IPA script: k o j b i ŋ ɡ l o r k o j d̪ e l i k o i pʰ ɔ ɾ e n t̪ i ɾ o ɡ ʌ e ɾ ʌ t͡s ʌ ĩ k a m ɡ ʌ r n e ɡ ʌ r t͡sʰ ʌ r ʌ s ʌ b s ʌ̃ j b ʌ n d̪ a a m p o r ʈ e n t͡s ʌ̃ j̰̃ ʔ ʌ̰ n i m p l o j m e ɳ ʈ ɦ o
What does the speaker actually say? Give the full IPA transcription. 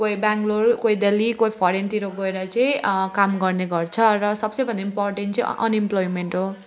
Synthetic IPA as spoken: k o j b a ŋ ɡ l o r k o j d̪ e l i k o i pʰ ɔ ɾ e n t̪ i ɾ o ɡ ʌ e ɾ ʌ t͡s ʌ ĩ k a m ɡ ʌ r n e ɡ ʌ r t͡sʰ ʌ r ʌ s ʌ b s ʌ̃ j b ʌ n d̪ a i m p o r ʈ e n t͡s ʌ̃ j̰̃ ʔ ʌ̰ n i m p l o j m e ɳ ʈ ɦ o